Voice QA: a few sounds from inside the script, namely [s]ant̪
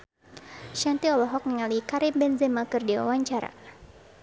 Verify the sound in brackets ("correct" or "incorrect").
incorrect